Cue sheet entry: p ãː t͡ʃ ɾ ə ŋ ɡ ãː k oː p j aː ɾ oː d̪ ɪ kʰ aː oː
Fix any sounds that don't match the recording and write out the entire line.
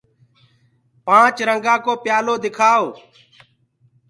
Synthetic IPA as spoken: p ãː t͡ʃ ɾ ə ŋ ɡ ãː k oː p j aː l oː d̪ ɪ kʰ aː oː